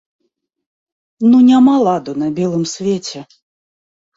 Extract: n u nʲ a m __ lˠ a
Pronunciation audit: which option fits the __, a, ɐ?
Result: a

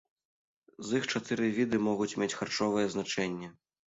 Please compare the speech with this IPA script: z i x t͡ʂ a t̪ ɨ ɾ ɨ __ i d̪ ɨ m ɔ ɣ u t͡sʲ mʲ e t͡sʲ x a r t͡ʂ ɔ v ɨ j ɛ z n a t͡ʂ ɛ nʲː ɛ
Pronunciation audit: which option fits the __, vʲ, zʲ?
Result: vʲ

